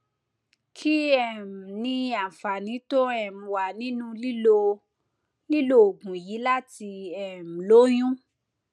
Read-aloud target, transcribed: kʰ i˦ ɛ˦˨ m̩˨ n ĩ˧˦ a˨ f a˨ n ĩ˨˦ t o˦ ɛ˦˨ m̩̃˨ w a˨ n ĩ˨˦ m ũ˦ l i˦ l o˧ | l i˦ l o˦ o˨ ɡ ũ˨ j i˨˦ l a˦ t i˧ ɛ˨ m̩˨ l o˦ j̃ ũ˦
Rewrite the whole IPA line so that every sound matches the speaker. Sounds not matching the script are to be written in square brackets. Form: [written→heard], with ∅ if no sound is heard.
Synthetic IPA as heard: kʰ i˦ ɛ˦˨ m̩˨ n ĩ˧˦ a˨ f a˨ n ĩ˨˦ t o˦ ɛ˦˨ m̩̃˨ w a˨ n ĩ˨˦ [m→n] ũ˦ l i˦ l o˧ | l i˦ l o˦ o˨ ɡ ũ˨ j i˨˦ l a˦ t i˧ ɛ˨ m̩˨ l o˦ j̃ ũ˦